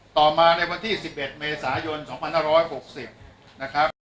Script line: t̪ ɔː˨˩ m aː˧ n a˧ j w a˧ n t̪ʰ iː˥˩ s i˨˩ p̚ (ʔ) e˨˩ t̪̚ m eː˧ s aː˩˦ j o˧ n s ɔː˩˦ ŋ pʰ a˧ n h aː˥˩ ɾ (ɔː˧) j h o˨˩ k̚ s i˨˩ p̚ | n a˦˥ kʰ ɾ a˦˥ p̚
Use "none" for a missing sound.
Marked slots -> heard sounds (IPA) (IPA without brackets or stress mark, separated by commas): ʔ, ɔː˦˥